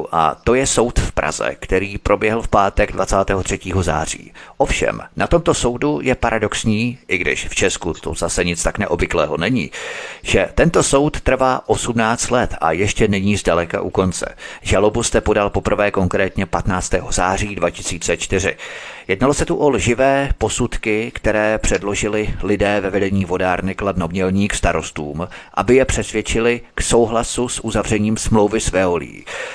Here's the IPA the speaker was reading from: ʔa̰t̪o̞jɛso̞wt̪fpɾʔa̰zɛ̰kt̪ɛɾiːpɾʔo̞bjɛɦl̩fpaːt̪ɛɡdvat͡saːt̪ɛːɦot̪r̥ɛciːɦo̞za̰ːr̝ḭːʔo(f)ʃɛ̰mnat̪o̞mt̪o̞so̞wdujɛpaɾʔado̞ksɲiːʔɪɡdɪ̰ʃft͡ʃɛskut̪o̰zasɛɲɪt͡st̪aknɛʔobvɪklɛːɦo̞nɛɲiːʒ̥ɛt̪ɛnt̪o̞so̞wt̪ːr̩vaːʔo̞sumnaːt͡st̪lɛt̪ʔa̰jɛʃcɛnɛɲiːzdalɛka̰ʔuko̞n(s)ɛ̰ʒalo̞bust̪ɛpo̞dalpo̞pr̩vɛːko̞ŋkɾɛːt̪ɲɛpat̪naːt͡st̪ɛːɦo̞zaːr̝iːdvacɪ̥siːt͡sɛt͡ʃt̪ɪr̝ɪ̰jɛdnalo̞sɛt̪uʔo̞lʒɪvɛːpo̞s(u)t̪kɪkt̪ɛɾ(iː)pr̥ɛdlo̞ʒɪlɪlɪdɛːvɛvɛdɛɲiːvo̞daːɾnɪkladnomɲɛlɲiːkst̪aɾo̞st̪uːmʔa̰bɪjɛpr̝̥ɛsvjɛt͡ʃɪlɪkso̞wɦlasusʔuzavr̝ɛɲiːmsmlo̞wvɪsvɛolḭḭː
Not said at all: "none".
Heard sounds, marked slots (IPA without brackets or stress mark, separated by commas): f, t͡s, u, ɛː